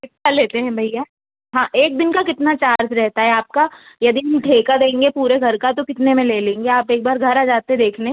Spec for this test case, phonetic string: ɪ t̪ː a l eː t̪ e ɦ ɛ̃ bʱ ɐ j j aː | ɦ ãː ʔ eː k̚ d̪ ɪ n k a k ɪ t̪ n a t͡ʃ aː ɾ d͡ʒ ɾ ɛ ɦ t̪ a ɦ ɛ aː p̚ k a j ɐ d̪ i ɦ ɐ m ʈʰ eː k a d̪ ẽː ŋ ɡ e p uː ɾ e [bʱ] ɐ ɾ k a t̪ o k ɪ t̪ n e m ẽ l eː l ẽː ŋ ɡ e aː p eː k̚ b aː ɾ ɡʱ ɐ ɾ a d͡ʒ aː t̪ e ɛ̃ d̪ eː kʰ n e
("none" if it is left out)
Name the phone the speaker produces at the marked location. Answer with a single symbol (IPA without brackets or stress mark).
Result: ɡʱ